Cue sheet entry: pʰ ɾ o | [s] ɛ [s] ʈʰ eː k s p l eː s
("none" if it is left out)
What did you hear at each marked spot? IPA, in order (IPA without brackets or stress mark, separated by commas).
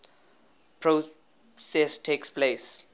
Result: s, s